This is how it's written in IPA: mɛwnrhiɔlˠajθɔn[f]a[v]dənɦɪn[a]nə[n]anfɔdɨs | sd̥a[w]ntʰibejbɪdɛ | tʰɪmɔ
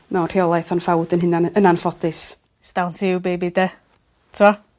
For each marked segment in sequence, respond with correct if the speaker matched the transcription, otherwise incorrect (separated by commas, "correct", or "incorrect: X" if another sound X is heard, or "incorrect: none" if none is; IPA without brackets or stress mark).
correct, incorrect: w, correct, correct, correct